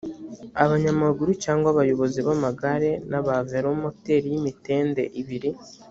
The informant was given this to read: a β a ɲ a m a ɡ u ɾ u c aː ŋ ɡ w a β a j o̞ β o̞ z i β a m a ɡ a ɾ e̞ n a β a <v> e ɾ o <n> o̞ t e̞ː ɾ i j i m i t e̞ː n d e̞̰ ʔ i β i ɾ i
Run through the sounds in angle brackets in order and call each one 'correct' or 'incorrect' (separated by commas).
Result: correct, incorrect